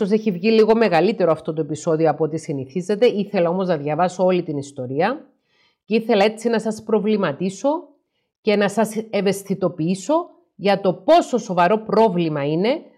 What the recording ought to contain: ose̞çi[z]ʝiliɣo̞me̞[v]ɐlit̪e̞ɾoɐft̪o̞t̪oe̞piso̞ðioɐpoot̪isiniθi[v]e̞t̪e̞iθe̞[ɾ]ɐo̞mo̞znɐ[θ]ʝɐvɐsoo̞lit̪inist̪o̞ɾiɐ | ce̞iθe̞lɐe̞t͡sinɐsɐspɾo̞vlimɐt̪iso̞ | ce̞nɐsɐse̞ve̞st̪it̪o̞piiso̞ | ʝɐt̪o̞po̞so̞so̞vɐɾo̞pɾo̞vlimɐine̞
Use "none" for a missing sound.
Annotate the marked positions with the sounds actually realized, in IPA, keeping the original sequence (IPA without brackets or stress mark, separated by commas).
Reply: v, ɣ, z, l, ð